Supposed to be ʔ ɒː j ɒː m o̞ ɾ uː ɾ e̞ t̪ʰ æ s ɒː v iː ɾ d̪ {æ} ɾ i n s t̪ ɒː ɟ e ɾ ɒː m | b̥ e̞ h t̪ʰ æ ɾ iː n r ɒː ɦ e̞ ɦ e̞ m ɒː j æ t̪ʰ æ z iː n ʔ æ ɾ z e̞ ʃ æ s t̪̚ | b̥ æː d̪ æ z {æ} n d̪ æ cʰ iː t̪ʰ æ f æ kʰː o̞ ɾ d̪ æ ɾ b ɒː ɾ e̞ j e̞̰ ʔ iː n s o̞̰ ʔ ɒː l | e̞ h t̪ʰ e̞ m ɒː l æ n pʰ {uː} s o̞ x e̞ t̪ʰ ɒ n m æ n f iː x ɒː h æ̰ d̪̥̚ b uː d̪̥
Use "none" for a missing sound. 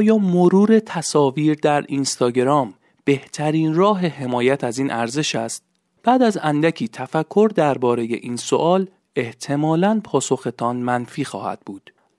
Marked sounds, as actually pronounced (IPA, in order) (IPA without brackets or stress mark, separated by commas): æ, æ, ɒː